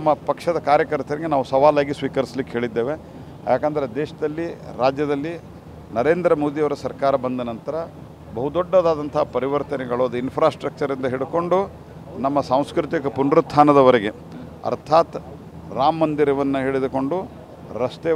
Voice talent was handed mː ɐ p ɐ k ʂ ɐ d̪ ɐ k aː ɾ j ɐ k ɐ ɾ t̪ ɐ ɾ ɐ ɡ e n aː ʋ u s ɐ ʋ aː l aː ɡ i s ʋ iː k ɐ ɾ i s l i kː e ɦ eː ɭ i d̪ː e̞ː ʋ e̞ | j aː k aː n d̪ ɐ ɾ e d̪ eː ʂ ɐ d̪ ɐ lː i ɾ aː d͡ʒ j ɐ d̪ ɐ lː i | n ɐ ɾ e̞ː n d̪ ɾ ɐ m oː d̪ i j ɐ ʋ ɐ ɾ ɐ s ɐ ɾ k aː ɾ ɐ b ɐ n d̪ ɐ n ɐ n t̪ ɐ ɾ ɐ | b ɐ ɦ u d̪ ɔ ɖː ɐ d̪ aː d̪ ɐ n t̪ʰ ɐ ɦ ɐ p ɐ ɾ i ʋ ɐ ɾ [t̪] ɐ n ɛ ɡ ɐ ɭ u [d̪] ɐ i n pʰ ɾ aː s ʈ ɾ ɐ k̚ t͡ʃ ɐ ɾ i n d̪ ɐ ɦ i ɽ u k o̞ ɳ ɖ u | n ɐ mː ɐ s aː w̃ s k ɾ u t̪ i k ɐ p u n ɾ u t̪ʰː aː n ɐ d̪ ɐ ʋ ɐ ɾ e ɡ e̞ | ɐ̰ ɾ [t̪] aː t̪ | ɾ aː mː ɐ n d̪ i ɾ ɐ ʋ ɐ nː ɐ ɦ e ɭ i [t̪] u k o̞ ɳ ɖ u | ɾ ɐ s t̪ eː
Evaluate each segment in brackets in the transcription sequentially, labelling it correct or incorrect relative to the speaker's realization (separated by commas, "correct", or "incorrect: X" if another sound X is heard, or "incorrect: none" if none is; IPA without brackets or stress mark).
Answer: correct, correct, incorrect: t̪ʰ, incorrect: d̪